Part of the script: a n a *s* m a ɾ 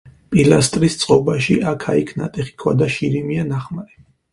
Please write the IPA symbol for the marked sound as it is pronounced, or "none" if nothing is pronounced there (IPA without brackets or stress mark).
χ